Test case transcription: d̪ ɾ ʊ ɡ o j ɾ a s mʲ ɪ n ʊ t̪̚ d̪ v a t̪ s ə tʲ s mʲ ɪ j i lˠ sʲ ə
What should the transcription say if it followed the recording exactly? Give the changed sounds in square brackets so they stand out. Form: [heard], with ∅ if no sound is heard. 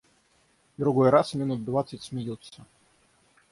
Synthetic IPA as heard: d̪ ɾ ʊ ɡ o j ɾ a s mʲ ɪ n [u] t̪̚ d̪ v a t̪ s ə tʲ s mʲ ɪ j i lˠ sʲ ə